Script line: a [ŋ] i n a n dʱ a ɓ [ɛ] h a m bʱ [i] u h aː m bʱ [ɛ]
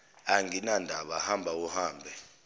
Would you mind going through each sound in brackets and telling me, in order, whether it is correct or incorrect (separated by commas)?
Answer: correct, incorrect, incorrect, correct